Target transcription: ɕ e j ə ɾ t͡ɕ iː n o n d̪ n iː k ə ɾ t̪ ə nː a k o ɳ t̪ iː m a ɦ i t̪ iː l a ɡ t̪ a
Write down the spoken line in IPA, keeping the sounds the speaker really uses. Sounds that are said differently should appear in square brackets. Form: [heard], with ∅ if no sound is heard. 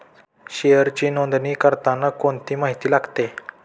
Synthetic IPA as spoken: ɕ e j ə ɾ t͡ɕ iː n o n d̪ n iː k ə ɾ t̪ [a] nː a k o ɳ t̪ iː m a ɦ i t̪ iː l a ɡ t̪ [e]